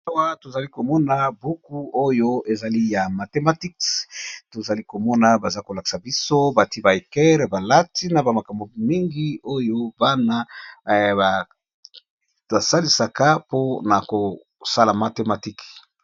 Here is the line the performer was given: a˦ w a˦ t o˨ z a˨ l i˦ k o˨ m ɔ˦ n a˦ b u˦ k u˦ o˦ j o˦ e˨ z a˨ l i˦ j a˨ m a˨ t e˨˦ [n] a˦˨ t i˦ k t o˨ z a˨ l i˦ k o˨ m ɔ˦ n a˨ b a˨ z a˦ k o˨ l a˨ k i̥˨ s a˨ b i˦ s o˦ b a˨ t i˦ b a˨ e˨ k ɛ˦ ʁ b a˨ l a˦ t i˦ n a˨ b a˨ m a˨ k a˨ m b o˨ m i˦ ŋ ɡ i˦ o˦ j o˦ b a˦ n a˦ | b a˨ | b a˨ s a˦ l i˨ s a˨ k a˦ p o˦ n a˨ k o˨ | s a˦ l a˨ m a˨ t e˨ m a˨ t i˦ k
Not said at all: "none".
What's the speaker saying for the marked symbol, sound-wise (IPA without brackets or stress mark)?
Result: m